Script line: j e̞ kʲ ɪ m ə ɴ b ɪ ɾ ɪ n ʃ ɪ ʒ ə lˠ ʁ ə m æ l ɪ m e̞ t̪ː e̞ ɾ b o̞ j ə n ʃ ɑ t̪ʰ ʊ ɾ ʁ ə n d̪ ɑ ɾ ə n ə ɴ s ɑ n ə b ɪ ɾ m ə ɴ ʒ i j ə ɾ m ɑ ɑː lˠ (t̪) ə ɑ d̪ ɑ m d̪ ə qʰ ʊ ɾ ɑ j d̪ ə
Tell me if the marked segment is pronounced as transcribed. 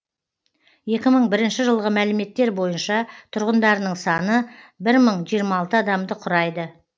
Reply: yes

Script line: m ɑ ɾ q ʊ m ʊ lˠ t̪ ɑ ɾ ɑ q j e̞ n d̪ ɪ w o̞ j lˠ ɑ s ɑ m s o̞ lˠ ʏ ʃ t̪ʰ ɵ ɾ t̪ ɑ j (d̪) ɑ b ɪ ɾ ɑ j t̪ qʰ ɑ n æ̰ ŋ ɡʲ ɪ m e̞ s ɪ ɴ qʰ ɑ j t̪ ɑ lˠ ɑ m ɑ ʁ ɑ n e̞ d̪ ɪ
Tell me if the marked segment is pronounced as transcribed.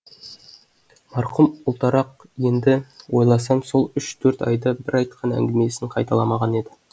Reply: yes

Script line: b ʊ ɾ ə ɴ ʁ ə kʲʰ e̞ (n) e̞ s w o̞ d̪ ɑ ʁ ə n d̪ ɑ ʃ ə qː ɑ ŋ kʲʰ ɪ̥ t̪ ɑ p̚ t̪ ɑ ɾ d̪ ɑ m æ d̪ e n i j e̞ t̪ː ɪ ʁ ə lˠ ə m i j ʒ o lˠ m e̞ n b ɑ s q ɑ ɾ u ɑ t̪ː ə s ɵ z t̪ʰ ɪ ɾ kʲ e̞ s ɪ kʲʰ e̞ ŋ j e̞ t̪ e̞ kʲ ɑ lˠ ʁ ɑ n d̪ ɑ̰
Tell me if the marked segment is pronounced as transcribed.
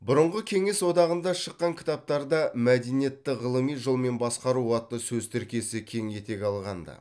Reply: no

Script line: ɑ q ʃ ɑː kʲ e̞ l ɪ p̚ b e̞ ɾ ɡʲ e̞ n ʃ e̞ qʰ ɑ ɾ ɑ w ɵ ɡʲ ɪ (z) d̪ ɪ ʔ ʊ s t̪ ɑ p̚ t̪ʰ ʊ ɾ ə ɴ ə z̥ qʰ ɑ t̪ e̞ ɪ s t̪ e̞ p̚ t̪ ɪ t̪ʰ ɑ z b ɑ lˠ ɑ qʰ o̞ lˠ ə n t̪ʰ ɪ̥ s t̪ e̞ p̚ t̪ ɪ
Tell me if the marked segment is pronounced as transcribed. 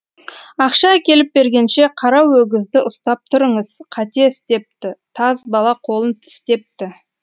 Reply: yes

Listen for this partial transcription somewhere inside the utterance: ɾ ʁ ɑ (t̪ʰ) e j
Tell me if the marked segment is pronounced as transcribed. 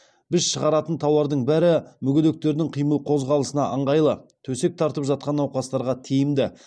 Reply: yes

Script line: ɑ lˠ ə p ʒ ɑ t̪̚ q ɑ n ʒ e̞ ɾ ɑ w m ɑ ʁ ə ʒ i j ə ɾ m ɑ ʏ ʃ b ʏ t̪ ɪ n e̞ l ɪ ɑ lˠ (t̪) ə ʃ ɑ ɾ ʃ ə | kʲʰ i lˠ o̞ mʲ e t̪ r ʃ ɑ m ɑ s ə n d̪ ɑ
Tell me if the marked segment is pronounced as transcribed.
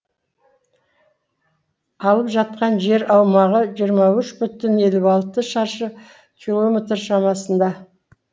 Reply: yes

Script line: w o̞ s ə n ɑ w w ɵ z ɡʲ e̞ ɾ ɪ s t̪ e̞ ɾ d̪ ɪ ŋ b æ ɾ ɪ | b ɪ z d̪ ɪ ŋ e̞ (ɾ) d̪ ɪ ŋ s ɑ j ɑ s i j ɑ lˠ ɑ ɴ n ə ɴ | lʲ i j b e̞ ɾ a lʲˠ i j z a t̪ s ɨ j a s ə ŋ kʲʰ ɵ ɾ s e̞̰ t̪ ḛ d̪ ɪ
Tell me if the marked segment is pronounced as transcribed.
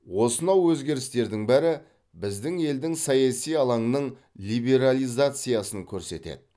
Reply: no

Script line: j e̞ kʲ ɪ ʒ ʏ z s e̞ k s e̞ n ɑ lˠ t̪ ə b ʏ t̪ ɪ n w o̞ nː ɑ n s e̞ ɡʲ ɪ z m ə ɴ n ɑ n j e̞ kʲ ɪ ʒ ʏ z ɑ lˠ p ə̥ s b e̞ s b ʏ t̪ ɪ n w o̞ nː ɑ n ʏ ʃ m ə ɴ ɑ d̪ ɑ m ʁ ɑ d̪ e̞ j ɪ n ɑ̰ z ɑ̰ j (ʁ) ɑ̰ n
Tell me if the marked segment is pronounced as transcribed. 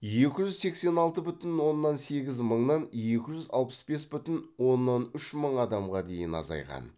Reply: yes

